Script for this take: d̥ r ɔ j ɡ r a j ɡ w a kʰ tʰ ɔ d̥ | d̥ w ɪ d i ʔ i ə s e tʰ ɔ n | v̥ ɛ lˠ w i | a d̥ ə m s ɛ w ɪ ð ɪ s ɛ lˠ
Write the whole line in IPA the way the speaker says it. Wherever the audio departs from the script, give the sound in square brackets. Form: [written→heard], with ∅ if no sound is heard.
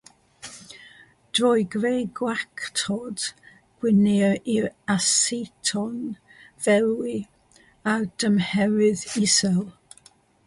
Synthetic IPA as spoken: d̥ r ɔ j ɡ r [a→e] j ɡ w a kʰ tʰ ɔ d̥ | [d̥→ɡ̥] w ɪ [d→n] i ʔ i [ə→a] s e tʰ ɔ n | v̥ ɛ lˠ w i | a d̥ ə m [s→h] ɛ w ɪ ð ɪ s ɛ lˠ